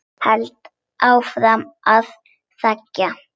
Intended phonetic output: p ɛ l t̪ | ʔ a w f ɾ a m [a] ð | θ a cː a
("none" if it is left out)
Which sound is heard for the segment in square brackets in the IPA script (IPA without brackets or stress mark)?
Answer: a